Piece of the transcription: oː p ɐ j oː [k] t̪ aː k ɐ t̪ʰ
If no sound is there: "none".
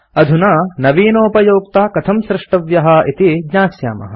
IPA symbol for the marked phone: k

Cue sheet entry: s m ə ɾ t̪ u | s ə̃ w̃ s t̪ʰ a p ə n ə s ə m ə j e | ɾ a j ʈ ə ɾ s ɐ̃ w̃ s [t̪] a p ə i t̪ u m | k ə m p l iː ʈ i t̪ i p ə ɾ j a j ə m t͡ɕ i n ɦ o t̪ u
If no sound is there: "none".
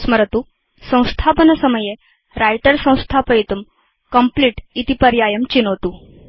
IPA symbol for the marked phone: t̪ʰ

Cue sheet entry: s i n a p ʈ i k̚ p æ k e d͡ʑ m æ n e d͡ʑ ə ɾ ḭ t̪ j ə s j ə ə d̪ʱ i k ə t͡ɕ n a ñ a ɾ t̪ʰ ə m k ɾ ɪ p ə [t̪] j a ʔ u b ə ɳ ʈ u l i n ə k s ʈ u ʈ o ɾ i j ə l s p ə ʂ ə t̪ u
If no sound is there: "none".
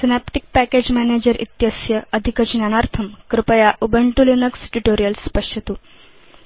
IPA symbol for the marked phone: none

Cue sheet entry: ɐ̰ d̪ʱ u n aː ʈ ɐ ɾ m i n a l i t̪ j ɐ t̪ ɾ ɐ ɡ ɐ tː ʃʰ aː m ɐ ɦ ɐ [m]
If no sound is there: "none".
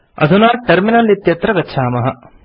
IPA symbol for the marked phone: none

